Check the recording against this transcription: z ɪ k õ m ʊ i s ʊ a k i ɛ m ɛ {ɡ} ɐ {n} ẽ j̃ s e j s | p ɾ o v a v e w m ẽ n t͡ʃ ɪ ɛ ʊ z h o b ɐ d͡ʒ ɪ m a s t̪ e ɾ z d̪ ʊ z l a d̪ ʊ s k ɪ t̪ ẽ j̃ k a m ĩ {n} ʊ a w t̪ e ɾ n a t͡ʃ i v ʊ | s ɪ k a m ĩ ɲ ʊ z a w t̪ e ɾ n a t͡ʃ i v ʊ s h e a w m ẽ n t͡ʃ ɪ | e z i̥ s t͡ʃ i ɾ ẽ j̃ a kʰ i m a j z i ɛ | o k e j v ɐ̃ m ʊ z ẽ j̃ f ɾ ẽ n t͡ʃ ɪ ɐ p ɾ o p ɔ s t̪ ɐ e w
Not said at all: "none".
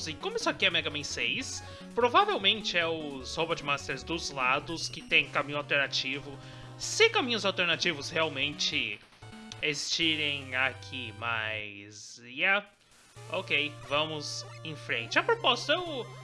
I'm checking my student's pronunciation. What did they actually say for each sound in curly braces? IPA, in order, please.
ɡ, m, ɲ

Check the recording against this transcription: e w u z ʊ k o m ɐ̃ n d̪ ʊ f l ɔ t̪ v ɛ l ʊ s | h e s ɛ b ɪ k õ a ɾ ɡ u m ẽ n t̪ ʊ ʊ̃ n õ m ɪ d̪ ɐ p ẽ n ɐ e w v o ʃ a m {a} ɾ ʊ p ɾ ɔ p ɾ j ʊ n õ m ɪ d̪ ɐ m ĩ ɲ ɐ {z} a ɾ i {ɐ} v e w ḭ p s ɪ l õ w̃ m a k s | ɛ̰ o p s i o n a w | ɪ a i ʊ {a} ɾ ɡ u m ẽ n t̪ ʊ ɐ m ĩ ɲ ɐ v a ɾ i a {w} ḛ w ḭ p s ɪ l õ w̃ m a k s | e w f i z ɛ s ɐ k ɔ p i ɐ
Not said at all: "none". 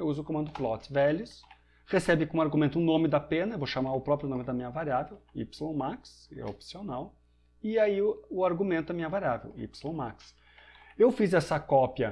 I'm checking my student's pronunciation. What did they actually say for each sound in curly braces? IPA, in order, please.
a, v, a, a, v

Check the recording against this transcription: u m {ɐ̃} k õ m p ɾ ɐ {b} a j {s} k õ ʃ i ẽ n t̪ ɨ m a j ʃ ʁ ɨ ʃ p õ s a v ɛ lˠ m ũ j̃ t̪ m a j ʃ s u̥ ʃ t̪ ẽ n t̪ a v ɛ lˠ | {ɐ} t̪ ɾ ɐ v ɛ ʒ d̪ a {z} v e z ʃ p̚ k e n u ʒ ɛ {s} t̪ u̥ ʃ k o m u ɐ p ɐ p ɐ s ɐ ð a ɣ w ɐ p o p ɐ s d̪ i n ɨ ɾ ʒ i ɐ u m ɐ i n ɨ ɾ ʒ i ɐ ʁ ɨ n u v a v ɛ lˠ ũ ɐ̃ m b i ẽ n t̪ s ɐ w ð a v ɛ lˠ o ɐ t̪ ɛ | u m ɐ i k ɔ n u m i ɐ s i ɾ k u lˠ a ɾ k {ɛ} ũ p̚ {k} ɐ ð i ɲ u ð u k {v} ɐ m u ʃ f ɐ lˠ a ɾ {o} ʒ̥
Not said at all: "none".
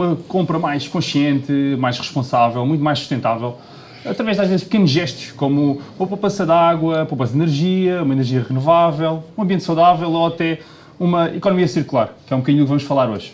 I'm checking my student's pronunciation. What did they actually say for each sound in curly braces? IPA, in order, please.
ɐ, m, ʃ, ɐ, ʒ, ʃ, ɛ, k, v, o

